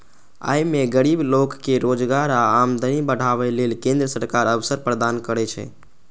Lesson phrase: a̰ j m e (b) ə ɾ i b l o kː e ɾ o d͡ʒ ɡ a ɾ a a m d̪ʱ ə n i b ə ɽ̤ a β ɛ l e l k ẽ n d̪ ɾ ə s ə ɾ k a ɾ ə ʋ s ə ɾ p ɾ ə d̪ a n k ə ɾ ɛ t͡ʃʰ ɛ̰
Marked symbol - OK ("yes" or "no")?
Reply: no